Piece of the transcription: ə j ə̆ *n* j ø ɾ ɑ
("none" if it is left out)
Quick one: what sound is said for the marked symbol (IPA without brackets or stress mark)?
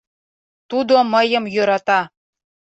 m